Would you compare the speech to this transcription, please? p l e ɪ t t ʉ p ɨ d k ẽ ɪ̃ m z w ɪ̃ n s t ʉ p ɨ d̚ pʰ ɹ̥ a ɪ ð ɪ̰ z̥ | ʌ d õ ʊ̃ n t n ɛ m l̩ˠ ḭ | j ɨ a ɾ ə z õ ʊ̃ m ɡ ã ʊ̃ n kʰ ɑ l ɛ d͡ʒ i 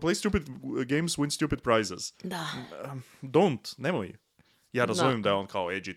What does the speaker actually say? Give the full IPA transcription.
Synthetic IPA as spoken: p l e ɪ s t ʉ p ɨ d ɡ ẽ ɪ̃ m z w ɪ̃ n s t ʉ p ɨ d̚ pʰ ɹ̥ a ɪ z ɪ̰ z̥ | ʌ d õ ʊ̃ n t n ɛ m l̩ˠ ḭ | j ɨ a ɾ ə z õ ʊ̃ m d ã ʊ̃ n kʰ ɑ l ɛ d͡ʒ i